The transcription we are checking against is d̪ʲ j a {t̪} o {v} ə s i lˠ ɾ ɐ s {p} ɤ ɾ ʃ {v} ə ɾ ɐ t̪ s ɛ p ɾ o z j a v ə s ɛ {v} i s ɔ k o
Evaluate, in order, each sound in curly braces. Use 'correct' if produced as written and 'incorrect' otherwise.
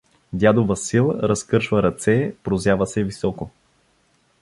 incorrect: d̪, correct, incorrect: k, correct, correct

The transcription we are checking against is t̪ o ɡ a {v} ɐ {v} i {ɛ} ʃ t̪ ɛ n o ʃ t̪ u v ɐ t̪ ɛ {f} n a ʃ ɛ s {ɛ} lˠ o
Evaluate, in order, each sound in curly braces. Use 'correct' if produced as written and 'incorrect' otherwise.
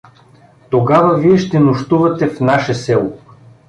correct, correct, correct, correct, correct

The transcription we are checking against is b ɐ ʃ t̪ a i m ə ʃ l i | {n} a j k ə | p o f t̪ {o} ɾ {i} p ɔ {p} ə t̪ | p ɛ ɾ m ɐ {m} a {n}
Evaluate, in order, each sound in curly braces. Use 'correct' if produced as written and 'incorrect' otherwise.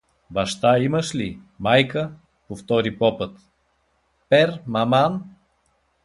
incorrect: m, incorrect: ɔ, correct, correct, correct, correct

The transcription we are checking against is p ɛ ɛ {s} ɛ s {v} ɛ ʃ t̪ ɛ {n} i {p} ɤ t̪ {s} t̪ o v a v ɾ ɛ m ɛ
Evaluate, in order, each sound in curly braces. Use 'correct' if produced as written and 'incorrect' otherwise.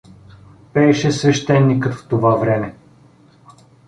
incorrect: ʃ, correct, incorrect: nː, incorrect: k, incorrect: f

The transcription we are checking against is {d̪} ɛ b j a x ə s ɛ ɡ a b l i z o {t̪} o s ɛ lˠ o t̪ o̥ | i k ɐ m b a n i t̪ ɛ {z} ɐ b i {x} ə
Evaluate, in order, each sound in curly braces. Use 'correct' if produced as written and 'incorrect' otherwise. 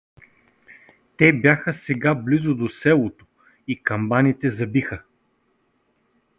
incorrect: t̪, incorrect: d̪, correct, correct

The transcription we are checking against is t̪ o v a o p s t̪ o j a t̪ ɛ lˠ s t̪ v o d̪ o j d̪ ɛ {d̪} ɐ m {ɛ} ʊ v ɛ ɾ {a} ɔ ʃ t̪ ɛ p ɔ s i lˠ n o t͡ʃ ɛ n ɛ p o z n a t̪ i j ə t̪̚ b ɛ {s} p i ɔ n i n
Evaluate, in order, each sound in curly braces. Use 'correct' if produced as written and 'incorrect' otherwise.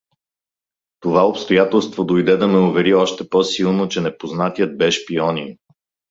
correct, correct, incorrect: i, incorrect: ʃ

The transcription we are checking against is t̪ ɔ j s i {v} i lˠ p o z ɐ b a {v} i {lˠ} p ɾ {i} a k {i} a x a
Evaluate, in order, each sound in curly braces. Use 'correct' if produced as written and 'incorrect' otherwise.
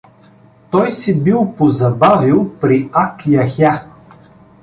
incorrect: b, correct, correct, correct, incorrect: j

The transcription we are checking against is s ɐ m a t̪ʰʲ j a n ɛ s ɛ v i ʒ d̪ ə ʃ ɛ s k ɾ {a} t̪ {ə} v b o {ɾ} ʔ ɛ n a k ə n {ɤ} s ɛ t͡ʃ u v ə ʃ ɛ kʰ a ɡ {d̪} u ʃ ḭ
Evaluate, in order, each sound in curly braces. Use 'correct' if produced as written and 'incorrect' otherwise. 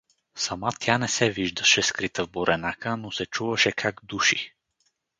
incorrect: i, correct, correct, incorrect: o, correct

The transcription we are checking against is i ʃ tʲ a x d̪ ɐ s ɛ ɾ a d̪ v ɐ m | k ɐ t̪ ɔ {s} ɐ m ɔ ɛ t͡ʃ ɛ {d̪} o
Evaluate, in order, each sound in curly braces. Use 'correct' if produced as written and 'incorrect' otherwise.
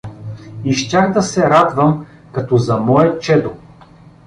incorrect: z, correct

